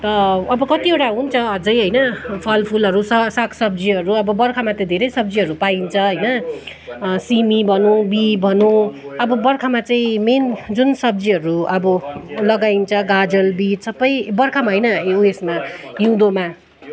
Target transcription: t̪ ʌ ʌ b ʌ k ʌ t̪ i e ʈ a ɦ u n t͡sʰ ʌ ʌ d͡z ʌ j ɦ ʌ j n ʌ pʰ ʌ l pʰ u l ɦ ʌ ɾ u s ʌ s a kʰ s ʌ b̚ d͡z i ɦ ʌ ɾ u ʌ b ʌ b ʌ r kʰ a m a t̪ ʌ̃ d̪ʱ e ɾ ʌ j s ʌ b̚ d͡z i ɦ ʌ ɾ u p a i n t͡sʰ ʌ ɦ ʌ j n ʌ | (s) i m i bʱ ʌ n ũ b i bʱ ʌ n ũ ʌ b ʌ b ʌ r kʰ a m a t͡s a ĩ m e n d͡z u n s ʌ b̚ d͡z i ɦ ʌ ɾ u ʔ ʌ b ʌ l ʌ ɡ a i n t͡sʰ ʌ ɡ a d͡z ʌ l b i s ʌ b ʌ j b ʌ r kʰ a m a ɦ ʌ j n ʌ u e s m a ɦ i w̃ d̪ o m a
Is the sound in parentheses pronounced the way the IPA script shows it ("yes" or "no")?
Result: yes